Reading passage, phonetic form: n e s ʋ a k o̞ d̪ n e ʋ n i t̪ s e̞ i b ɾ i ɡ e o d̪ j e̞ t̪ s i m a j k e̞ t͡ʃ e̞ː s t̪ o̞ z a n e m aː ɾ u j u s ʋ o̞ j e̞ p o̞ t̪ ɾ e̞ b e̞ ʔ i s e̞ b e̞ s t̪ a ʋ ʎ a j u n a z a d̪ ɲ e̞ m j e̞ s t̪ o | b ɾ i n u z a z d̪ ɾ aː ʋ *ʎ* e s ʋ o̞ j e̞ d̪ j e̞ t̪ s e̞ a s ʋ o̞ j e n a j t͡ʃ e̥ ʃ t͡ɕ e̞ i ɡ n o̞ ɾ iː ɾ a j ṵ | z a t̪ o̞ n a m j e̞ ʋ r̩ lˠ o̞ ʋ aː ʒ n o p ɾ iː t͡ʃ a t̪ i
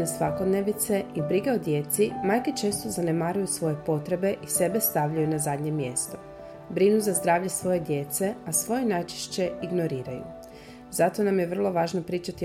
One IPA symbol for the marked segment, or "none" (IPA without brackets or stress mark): ʎ